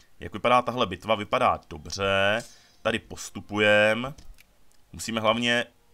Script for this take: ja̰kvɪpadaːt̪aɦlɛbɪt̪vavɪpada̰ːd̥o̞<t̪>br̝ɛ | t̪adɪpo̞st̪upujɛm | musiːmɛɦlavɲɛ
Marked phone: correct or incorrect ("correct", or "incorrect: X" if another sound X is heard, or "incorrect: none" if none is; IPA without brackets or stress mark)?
incorrect: none